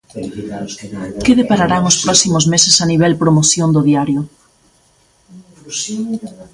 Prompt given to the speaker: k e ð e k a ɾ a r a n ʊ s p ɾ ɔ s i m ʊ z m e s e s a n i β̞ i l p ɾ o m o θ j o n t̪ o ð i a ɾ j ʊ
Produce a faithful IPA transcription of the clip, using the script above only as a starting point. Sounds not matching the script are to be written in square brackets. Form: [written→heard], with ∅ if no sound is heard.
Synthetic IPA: k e ð e [k→p] a ɾ a [r→ɾ] a [n→ŋ] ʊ s p ɾ ɔ s i m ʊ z m e s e s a n i β̞ [i→ɛ] l p ɾ o m o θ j o n [t̪→d̪] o ð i a ɾ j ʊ

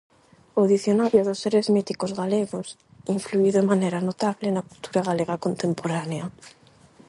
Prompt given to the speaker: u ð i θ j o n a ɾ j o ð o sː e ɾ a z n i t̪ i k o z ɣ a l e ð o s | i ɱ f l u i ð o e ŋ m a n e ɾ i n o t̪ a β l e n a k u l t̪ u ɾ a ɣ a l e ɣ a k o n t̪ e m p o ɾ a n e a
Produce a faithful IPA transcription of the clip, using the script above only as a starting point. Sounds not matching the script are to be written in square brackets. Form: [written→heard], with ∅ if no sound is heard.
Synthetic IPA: [u→o] ð i θ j o n a ɾ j o ð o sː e ɾ [a→e] z [n→m] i t̪ i k o z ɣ a l e [ð→ɣ] o s | i ɱ f l u i ð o e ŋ m a n e ɾ [i→a] n o t̪ a β l e n a k u l t̪ u ɾ a ɣ a l e ɣ a k o n t̪ e m p o ɾ a n e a

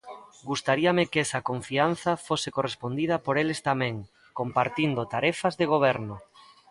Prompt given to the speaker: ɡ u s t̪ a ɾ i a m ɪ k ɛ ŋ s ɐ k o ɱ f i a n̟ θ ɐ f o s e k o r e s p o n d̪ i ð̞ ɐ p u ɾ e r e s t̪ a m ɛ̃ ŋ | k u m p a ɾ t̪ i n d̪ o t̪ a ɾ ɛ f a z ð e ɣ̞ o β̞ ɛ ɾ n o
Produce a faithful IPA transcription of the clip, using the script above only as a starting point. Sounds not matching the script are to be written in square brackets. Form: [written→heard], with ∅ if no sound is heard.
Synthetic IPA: ɡ u s t̪ a ɾ i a m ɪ k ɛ [ŋ→∅] s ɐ k o ɱ f i a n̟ θ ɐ f o s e k o r e s p o n d̪ i ð̞ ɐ p [u→o] ɾ e [r→l] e s t̪ a m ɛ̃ ŋ | k [u→o] m p a ɾ t̪ i n d̪ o t̪ a ɾ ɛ f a z ð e ɣ̞ o β̞ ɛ ɾ n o

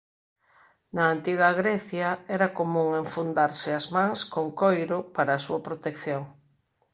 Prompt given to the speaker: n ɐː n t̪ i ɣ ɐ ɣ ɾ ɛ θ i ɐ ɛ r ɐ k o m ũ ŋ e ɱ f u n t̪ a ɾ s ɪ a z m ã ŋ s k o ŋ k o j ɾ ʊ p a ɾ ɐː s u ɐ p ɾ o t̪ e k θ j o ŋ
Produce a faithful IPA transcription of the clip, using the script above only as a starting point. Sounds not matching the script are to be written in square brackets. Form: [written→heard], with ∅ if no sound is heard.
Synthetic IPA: n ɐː n t̪ i ɣ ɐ ɣ ɾ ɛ θ [i→j] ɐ ɛ [r→ɾ] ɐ k o m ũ ŋ e ɱ f u n [t̪→d̪] a ɾ s ɪ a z m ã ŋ s k o ŋ k o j ɾ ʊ p a ɾ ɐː s u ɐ p ɾ o t̪ e k θ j o ŋ

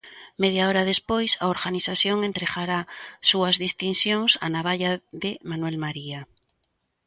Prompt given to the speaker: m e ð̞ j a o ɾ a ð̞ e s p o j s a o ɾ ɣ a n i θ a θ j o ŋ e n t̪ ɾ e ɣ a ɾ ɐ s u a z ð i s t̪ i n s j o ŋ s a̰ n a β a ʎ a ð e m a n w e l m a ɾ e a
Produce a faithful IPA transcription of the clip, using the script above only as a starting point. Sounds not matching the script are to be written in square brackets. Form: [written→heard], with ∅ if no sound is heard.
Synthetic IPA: m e ð̞ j a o ɾ a ð̞ e s p o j s a o ɾ ɣ a n i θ a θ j o ŋ e n t̪ ɾ e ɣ a ɾ [ɐ→a] s u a z ð i s t̪ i n s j o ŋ s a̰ n a β a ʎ a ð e m a n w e l m a ɾ [e→i] a

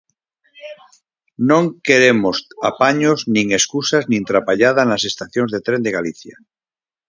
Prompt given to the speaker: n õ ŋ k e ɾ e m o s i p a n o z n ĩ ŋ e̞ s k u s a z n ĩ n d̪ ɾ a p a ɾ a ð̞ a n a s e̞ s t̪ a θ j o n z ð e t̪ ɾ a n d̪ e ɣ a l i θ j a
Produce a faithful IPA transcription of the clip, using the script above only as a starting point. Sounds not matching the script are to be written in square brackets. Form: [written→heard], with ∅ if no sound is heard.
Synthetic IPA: n õ ŋ k e ɾ e m o s [i→a] p a [n→ɲ] o z n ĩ ŋ e̞ s k u s a z n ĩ n [d̪→t̪] ɾ a p a [ɾ→ʎ] a ð̞ a n a s e̞ s t̪ a θ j o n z ð e t̪ ɾ [a→e] n d̪ e ɣ a l i θ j a

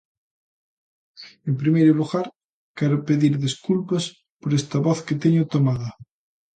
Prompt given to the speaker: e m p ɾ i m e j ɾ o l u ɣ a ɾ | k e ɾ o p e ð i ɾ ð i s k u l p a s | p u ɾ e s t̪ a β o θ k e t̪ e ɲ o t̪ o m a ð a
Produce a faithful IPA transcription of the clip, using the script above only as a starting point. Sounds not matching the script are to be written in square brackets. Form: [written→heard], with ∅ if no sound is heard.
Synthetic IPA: e m p ɾ i m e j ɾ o l u ɣ a ɾ | k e ɾ o p e ð i ɾ ð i s k u l p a s | p [u→o] ɾ e s t̪ a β o θ k e t̪ e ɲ o t̪ o m a ð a

